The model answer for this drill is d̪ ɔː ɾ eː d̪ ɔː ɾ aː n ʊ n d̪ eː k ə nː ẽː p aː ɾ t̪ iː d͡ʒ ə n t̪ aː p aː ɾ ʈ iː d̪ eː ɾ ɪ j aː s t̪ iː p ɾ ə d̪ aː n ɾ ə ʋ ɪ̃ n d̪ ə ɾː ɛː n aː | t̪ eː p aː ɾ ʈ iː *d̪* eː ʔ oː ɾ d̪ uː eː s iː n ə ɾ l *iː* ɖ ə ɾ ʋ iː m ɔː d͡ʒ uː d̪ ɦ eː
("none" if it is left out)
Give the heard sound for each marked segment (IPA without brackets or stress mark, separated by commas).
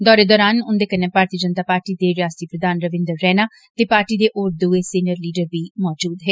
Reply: d̪, iː